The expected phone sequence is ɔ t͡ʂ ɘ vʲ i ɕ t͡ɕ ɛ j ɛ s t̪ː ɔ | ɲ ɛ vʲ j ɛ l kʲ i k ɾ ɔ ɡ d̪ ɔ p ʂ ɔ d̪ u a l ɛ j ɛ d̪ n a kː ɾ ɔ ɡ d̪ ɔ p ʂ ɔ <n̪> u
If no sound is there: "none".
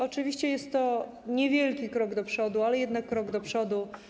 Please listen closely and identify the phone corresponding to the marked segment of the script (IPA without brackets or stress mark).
d̪